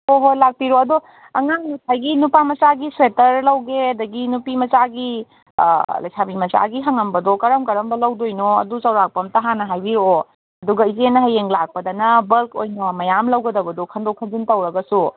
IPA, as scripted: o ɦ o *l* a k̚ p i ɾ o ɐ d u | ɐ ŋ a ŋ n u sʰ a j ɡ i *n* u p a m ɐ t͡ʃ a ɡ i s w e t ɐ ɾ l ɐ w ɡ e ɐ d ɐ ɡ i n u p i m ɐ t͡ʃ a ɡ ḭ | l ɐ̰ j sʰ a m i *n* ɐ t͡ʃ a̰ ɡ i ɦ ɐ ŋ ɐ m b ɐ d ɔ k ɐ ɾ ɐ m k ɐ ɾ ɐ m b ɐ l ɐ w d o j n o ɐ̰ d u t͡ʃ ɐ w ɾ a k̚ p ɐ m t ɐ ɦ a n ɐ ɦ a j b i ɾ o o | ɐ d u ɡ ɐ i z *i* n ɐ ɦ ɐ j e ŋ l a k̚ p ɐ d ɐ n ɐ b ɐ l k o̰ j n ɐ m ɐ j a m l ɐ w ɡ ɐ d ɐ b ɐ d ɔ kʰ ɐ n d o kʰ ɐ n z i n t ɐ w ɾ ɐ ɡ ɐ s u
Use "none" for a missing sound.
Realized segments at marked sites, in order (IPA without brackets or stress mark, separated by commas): l, n, m, e